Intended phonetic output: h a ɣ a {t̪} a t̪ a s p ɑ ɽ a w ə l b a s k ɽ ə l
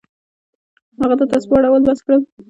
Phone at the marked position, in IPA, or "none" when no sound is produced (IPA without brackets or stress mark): t̪